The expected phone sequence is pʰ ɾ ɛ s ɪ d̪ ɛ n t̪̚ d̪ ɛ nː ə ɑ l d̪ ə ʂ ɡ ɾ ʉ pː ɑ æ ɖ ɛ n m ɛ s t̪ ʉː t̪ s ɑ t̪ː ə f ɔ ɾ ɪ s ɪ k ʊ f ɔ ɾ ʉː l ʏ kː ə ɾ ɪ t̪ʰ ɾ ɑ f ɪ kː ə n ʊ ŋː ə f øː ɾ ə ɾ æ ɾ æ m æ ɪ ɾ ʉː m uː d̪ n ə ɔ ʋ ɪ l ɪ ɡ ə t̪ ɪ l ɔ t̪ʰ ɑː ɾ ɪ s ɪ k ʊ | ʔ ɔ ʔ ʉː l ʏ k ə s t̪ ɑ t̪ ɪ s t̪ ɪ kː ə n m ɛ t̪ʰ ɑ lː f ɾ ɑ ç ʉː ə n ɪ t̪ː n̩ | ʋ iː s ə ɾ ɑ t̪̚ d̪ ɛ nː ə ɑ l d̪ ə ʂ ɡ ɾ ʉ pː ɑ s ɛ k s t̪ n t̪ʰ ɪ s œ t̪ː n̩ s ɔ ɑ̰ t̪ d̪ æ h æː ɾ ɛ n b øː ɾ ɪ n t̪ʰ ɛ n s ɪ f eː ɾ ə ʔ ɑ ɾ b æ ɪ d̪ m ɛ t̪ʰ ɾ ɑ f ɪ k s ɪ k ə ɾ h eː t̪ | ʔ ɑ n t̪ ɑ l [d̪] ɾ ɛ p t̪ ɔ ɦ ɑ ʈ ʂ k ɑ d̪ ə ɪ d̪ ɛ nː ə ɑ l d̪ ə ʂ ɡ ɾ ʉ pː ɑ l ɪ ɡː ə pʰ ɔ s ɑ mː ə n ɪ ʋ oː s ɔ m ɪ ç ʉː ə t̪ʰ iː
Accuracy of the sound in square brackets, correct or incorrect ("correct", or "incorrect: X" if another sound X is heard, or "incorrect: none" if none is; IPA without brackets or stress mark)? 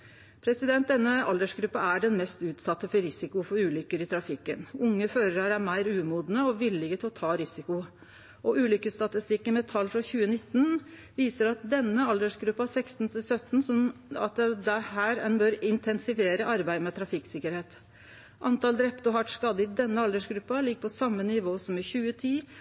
correct